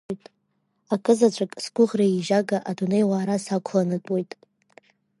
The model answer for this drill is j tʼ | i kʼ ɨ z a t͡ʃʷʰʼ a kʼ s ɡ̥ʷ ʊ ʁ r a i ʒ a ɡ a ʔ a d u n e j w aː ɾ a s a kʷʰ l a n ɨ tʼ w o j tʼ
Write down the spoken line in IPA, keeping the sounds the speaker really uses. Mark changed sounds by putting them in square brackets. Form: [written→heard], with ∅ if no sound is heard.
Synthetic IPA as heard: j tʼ | [i→a] kʼ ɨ z a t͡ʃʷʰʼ a kʼ s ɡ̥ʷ ʊ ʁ r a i ʒ a ɡ a ʔ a d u n e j w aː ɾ a s a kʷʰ l a n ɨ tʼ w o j tʼ